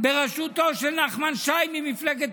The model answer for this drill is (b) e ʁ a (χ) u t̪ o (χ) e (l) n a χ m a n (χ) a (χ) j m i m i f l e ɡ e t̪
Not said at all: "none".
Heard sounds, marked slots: b, ʃ, ʃ, l, ʃ, none

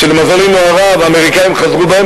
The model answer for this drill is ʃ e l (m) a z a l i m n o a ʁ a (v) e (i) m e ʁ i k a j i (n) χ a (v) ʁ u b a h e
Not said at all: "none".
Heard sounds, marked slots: m, v, a, m, z

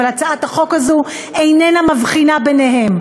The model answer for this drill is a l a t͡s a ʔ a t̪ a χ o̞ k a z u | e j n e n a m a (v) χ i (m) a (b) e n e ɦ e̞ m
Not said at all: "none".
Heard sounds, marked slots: v, n, b

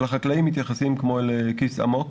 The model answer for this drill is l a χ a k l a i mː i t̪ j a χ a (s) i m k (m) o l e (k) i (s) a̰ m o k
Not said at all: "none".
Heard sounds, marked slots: s, m, k, s

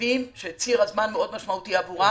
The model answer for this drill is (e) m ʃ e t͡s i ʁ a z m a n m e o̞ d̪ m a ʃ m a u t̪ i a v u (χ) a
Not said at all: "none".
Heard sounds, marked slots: i, ʁ

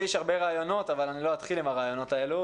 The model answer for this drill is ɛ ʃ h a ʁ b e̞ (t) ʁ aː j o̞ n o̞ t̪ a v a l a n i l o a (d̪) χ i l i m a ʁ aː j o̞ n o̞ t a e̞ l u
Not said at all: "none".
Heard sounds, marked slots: none, t̪

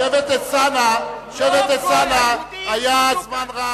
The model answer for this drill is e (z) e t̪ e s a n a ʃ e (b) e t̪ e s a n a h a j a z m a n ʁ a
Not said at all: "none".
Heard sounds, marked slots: v, v

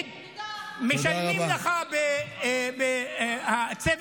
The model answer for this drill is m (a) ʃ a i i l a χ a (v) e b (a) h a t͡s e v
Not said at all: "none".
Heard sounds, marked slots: e, b, e

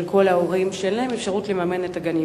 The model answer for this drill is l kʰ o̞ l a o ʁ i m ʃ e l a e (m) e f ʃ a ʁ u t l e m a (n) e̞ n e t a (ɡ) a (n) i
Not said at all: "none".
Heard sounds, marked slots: m, m, ɡ, n

